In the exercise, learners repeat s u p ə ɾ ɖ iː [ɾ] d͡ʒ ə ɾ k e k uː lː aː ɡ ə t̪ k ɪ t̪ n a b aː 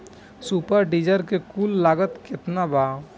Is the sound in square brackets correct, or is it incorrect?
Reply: incorrect